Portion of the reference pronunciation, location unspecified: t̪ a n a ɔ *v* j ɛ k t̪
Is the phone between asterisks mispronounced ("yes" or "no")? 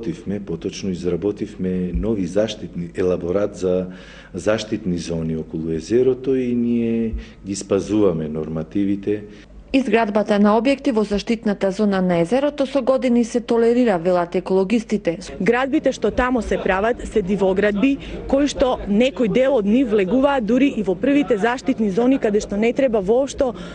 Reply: yes